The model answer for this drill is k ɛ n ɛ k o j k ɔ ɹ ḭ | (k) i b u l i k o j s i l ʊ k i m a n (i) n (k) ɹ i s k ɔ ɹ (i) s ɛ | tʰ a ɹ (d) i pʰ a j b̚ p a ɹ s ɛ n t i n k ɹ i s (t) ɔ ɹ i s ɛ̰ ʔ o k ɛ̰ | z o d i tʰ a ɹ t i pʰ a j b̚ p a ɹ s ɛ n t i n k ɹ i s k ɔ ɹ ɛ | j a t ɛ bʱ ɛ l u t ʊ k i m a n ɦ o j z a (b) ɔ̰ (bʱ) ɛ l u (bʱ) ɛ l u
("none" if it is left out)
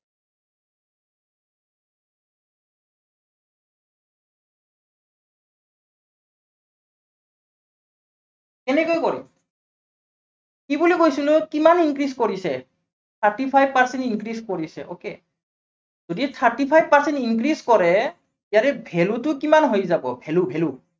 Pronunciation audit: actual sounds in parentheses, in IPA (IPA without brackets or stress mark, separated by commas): k, i, k, i, t, k, b, bʱ, bʱ